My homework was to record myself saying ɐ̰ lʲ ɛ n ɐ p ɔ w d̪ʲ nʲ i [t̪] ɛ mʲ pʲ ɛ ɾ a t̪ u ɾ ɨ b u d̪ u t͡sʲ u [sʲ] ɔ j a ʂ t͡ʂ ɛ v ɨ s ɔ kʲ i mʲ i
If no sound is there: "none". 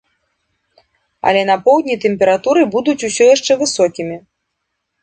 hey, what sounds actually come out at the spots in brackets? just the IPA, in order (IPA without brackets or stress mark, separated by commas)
t̪, sʲ